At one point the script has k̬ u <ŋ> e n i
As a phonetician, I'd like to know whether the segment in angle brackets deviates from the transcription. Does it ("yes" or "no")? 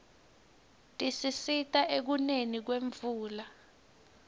yes